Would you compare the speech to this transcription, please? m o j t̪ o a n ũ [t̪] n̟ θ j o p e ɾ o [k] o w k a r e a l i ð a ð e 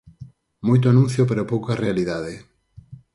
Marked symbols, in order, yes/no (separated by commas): no, no